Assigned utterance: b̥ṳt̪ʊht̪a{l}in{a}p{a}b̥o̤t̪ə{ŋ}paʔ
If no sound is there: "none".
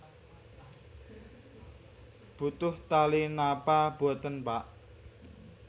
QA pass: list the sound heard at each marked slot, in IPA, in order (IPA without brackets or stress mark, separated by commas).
l, a, a, n